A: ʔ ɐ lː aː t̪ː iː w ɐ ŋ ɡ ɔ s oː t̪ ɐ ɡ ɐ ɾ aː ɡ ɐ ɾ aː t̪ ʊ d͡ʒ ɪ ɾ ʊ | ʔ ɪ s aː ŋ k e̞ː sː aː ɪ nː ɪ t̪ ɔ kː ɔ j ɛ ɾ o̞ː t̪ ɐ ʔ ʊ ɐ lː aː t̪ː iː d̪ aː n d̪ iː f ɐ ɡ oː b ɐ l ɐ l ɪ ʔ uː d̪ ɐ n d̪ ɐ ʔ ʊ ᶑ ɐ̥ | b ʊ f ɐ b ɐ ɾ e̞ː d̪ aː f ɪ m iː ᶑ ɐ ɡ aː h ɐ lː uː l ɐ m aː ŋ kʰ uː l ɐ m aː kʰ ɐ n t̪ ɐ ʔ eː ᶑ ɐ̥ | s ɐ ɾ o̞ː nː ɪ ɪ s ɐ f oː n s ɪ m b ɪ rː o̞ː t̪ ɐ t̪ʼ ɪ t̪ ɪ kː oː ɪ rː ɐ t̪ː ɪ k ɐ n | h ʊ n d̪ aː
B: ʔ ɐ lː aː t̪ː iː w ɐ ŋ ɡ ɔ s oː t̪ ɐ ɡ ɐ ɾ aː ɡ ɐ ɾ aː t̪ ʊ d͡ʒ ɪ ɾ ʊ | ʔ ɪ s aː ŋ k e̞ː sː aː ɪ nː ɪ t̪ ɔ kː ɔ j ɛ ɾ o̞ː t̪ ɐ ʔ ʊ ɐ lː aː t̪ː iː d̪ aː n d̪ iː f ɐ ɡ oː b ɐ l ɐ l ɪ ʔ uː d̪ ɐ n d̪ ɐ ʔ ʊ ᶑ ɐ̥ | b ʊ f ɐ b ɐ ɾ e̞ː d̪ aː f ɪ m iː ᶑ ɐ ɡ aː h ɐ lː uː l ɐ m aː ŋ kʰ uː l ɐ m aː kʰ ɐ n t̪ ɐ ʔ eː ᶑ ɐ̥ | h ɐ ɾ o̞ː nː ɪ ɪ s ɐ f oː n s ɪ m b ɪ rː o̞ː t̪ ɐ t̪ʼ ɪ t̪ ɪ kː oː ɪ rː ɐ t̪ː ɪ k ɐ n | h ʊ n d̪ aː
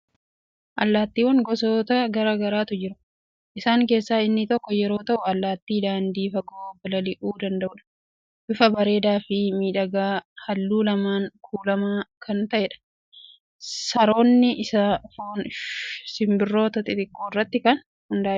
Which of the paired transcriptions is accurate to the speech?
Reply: A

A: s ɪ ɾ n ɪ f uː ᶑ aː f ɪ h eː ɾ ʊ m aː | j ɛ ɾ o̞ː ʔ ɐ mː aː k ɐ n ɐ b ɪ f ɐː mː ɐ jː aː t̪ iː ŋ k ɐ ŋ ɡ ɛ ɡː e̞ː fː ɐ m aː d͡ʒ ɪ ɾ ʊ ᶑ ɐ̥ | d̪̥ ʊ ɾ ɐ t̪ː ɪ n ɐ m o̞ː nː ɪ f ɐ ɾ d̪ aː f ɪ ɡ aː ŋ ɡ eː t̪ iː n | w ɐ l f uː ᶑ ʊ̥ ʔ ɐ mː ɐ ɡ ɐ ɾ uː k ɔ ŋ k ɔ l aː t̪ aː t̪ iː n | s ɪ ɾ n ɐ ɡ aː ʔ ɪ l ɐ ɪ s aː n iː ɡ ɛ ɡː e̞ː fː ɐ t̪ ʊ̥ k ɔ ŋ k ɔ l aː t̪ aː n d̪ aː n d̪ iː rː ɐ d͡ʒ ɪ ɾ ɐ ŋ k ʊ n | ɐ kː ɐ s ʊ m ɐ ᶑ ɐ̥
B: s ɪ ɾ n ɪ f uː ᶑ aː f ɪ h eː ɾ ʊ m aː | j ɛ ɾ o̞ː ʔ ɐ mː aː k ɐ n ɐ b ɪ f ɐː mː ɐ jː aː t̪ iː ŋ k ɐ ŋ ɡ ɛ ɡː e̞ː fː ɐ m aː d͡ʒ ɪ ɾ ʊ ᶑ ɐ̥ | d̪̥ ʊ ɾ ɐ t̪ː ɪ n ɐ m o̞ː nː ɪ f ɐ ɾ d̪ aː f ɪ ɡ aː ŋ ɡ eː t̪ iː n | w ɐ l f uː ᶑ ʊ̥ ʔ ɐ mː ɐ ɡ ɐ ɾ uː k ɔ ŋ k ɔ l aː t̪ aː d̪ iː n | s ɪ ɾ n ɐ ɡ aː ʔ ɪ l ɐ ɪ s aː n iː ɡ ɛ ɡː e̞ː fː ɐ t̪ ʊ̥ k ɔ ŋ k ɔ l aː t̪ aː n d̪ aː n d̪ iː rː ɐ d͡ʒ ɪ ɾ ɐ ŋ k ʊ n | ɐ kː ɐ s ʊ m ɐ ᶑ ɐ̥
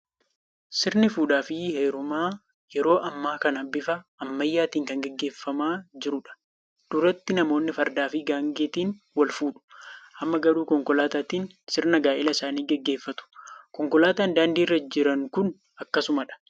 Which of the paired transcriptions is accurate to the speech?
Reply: A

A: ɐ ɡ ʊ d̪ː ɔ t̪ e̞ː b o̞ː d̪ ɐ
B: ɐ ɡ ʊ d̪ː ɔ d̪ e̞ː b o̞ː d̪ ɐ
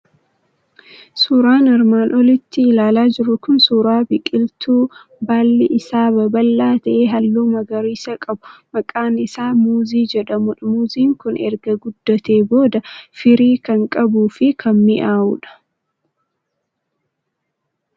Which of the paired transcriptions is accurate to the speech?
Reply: A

